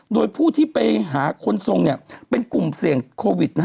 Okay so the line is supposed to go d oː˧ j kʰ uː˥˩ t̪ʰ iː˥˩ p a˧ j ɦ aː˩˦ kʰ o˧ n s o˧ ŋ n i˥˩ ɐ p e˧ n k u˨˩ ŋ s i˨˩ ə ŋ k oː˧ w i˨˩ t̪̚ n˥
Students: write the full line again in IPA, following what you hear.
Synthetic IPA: d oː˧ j pʰ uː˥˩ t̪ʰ iː˥˩ p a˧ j ɦ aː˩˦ kʰ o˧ n s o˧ ŋ n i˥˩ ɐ p e˧ n k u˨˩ m s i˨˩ ə ŋ kʰ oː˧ w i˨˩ t̪̚ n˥